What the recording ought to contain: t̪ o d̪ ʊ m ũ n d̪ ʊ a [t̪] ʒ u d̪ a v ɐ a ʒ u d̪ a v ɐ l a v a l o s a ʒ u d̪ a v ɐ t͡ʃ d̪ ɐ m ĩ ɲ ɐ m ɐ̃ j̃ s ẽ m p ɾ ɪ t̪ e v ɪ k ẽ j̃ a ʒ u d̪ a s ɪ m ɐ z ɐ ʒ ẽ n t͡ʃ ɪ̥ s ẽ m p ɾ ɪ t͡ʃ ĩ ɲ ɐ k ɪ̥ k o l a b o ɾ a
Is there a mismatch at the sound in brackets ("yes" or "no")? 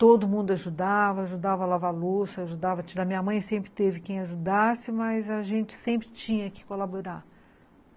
yes